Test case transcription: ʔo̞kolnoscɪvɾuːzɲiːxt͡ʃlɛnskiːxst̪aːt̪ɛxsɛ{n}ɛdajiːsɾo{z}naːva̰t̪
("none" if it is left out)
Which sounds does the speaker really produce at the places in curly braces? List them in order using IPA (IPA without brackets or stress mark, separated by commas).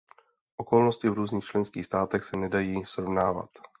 n, v